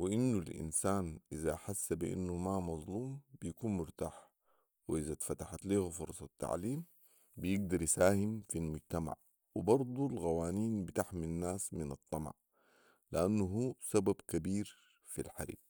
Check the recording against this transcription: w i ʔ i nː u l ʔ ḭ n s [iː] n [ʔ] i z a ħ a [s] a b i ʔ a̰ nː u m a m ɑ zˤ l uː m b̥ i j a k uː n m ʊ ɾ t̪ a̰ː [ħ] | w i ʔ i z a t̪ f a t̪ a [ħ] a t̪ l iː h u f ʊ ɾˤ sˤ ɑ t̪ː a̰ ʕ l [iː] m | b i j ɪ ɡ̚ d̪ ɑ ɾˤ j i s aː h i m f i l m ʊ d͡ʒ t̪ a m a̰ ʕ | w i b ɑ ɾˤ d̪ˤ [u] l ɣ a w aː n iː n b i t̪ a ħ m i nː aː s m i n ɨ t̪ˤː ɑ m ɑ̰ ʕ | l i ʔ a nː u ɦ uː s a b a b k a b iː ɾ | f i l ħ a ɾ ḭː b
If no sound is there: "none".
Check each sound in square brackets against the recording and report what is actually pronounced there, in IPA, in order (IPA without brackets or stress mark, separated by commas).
aː, ʔ, sː, ħ, ħ, iː, u